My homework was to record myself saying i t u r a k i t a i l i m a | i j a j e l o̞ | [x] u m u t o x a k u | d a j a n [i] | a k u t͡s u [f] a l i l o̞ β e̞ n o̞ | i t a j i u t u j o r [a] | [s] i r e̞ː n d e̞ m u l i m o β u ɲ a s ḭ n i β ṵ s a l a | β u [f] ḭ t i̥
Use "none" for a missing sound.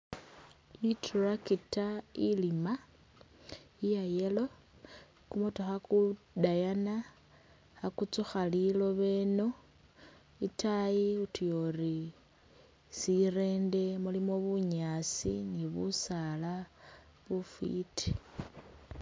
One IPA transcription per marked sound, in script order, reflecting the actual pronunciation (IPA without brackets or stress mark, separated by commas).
k, a, x, i, s, f